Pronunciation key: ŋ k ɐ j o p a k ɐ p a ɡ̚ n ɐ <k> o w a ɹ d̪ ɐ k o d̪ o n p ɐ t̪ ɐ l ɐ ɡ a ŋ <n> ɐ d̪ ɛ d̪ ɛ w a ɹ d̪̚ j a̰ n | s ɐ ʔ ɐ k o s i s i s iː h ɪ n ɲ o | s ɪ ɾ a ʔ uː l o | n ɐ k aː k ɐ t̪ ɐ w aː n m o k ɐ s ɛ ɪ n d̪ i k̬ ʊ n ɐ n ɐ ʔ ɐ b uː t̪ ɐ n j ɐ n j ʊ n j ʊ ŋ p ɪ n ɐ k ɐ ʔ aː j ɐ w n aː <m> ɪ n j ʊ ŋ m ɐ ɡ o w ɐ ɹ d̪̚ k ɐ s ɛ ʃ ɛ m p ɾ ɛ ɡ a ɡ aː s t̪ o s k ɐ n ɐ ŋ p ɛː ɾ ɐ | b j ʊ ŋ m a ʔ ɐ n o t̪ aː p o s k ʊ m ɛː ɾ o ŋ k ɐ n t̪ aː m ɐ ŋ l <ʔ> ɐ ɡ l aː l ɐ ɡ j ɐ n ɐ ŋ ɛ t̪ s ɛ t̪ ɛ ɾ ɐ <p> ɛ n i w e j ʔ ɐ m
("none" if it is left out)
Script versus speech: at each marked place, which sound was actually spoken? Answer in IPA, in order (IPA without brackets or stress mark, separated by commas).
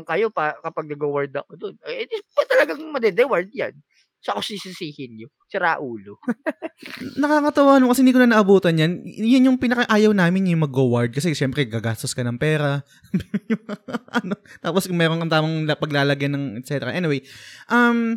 ɡ, m, m, p, ʔ